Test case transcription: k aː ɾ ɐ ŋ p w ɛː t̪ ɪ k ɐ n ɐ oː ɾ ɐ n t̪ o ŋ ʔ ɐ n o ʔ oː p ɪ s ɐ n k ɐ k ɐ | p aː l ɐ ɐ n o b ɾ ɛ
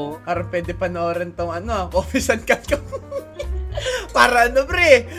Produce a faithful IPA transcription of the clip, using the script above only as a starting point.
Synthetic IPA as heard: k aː ɾ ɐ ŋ p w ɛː d̪ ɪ p ɐ n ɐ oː ɾ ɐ n t̪ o ŋ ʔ ɐ n o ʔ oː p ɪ s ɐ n k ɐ k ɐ | p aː ɾ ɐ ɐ n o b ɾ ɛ